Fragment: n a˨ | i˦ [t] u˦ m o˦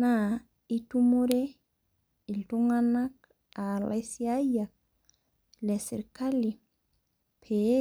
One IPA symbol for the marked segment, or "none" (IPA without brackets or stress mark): t